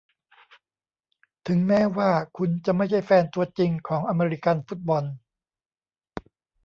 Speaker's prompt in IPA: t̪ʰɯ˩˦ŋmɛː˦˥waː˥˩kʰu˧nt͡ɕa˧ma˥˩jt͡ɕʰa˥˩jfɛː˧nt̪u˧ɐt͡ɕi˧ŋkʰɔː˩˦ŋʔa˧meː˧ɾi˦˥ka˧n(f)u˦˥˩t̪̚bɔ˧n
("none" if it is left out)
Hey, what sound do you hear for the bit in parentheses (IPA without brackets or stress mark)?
f